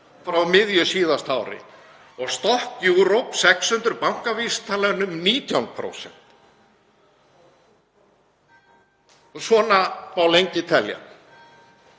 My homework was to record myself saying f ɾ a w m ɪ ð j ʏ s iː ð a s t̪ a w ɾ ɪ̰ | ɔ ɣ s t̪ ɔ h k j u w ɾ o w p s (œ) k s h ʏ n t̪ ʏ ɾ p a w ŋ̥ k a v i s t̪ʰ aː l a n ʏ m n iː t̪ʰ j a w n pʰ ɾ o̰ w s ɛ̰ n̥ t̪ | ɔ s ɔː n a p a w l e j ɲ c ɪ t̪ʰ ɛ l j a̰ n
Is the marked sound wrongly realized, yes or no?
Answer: yes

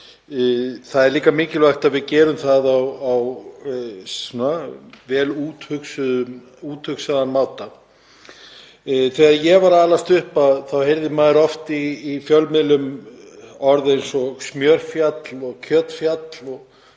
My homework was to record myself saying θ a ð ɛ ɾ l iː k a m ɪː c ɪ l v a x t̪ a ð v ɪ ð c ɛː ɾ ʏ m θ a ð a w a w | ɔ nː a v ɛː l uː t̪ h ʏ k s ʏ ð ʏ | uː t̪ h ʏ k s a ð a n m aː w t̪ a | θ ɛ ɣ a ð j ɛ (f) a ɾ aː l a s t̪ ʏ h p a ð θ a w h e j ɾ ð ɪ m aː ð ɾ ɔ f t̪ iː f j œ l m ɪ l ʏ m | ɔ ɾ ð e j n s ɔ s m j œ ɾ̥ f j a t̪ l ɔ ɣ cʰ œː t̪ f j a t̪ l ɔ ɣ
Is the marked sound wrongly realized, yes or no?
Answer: yes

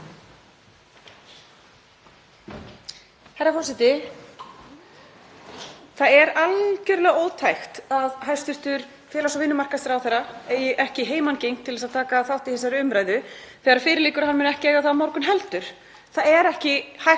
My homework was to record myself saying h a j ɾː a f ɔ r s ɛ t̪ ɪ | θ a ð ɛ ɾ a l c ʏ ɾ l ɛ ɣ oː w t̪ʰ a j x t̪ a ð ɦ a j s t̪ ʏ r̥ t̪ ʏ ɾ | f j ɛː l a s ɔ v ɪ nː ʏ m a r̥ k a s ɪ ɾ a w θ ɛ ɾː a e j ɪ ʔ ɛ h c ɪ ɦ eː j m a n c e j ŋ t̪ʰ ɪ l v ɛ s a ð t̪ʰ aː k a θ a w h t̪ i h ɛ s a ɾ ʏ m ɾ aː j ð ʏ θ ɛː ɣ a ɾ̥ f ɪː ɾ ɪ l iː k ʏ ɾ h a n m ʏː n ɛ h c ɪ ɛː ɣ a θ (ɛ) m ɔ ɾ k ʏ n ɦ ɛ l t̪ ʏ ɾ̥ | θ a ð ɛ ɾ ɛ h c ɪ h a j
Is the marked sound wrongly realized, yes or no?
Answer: yes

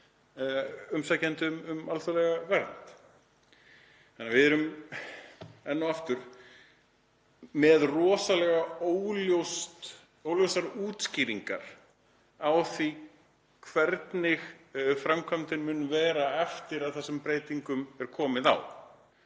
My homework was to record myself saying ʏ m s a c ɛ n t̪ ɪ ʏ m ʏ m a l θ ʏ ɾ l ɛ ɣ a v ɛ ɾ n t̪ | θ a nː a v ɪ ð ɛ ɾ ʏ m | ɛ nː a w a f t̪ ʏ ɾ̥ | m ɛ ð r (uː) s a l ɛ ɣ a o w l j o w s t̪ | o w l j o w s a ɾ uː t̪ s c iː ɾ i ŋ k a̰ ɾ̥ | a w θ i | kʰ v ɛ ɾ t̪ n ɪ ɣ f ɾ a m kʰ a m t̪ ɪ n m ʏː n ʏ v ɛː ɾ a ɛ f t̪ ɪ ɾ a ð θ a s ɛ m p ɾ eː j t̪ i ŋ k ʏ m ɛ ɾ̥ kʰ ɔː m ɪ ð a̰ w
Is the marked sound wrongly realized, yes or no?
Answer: yes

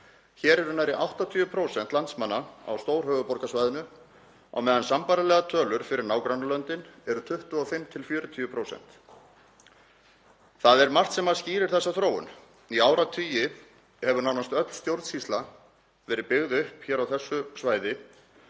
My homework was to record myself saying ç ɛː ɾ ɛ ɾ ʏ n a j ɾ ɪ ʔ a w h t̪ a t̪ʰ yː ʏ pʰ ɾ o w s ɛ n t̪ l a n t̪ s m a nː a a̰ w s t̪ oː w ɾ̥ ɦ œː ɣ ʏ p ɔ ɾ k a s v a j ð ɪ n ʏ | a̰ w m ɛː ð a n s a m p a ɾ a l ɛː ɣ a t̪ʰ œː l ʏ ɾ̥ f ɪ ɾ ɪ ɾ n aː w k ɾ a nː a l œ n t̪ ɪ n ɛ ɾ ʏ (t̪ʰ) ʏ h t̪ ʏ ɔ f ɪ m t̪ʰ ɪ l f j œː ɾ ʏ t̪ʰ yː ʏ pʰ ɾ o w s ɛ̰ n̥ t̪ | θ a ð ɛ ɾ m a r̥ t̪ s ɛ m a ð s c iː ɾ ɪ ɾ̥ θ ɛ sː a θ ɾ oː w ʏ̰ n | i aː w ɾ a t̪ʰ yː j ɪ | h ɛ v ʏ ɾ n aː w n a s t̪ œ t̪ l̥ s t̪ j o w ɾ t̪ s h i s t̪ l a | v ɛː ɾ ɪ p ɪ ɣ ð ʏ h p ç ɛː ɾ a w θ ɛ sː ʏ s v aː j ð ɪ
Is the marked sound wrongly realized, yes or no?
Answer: no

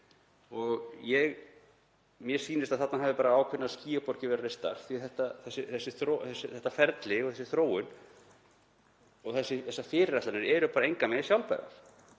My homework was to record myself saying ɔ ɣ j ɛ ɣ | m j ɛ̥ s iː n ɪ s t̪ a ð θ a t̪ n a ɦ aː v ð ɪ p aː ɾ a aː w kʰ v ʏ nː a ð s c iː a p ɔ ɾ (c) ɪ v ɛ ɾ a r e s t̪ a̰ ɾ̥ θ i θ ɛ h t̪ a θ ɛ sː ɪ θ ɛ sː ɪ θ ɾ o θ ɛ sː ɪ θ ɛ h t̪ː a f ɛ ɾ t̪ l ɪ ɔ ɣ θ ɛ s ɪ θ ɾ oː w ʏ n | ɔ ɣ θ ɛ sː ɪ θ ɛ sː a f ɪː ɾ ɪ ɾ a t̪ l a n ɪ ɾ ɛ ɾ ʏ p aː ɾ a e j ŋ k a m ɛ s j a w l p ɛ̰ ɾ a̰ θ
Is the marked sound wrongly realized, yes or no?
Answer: no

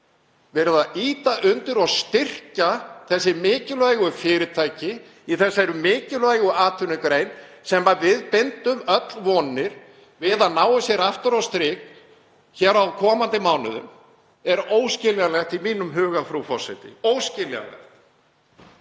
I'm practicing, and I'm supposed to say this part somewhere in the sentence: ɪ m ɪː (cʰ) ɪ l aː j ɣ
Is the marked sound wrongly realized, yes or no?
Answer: yes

